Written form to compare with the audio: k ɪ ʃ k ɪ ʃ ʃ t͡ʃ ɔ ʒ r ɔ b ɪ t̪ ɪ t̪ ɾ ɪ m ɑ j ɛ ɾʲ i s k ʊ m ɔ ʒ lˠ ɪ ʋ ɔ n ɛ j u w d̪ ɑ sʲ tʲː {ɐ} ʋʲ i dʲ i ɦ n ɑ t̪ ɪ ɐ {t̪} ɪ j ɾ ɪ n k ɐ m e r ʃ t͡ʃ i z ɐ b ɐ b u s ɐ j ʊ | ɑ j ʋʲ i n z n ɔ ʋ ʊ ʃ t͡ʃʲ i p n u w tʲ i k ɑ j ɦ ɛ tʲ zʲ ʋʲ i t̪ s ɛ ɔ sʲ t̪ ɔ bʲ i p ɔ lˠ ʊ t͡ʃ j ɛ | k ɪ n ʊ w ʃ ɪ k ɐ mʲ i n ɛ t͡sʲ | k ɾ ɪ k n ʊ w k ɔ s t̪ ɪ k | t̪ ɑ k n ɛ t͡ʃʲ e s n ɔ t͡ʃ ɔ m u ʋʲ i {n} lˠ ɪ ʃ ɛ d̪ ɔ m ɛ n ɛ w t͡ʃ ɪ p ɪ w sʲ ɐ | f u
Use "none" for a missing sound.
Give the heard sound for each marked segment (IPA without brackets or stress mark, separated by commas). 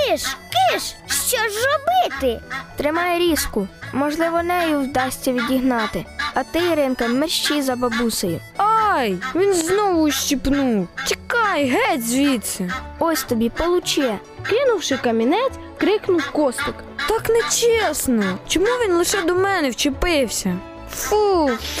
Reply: ɐ, t̪, n